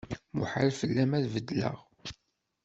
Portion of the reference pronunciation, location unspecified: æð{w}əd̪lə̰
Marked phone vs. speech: incorrect: v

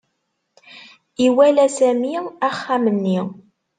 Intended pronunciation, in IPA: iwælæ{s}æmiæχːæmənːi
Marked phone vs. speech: correct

